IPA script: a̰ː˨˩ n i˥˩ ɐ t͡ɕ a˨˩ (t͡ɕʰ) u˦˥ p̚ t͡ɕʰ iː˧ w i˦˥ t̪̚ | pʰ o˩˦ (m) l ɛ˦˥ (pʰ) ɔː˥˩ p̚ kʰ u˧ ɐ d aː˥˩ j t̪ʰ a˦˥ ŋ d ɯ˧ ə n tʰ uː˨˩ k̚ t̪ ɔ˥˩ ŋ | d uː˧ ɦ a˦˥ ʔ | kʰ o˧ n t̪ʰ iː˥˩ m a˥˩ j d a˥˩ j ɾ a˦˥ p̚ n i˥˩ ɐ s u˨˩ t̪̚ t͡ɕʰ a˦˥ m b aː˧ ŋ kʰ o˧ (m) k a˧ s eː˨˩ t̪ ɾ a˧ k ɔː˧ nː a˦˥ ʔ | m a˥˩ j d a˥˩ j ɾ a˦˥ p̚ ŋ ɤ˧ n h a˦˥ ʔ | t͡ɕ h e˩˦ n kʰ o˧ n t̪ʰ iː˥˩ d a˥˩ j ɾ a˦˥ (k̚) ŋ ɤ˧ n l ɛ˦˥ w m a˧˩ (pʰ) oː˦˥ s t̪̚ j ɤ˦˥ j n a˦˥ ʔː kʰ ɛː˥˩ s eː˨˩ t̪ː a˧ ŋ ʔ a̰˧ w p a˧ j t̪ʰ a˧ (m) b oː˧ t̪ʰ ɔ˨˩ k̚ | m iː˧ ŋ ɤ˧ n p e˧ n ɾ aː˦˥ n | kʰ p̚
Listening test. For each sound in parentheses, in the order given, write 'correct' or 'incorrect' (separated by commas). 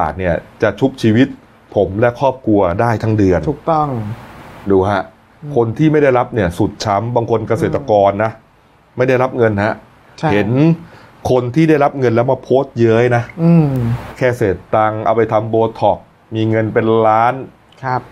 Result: correct, correct, incorrect, incorrect, incorrect, correct, correct